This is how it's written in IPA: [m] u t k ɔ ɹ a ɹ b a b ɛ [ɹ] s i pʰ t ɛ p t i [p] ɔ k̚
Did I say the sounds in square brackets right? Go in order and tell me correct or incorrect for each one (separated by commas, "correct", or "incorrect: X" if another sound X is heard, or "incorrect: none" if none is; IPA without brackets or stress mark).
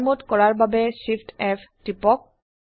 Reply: correct, incorrect: none, correct